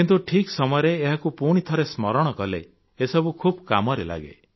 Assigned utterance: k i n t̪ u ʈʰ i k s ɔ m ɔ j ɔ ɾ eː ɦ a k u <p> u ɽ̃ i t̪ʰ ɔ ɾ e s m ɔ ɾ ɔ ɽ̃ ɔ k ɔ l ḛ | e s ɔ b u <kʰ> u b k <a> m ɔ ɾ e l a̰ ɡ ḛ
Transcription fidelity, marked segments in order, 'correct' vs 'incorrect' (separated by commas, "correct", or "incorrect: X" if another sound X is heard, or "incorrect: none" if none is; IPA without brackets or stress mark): correct, correct, correct